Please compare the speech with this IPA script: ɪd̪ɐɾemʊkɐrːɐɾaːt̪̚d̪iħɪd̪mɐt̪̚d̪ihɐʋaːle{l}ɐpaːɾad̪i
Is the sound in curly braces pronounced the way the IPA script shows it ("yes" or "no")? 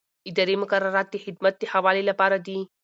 yes